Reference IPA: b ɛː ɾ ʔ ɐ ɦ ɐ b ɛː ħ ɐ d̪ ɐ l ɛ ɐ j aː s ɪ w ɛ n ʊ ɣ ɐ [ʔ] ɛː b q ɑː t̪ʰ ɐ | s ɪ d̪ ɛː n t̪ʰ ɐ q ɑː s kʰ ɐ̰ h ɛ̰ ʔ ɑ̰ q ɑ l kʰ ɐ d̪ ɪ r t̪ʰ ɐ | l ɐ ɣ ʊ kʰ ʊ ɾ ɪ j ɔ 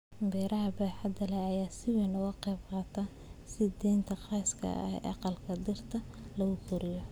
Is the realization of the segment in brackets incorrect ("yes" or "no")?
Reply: yes